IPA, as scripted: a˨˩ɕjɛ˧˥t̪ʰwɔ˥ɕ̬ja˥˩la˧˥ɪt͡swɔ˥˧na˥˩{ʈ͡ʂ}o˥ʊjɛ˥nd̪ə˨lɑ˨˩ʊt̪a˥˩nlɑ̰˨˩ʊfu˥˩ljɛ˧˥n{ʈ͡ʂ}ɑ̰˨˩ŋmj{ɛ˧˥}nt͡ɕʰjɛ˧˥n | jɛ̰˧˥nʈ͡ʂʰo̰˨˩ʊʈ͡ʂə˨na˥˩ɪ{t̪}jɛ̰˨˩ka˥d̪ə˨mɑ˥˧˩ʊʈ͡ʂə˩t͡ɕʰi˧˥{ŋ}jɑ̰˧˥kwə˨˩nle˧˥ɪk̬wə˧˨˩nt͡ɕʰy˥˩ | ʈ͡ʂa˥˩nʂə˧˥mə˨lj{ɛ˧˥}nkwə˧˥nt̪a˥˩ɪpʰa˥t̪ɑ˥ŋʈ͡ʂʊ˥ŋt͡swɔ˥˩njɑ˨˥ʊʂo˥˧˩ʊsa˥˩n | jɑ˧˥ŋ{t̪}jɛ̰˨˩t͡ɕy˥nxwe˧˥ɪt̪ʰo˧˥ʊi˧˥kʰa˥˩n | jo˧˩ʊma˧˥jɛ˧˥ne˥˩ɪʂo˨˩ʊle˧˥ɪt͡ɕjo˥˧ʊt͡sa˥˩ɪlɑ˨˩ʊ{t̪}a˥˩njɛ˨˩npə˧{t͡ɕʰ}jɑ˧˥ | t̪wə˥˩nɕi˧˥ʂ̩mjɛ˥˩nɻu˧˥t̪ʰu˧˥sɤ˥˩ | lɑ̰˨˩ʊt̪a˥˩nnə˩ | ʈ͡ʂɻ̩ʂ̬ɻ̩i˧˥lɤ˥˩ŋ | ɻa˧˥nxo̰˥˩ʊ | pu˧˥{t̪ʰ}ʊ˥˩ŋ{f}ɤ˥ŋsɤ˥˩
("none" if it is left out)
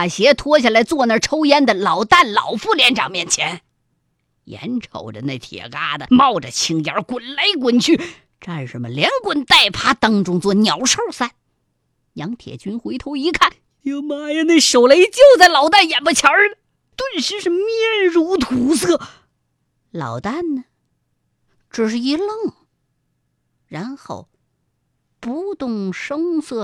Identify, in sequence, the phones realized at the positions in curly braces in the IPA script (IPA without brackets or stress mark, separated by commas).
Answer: ʈ͡ʂʰ, ʈ͡ʂ, ɛ˥˩, t̪ʰ, ŋ, ɛ˧˥, t̪ʰ, t̪, t͡ɕʰ, t̪, ʂ